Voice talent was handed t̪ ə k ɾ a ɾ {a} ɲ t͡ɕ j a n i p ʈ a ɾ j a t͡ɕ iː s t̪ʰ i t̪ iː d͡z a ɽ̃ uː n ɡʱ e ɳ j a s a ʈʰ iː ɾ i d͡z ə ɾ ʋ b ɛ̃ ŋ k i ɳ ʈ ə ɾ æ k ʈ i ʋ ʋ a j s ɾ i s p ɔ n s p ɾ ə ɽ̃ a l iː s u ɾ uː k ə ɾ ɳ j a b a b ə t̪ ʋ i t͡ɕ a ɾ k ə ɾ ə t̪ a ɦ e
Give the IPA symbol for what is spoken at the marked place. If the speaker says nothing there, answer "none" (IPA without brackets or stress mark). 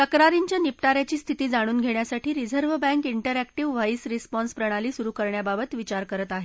i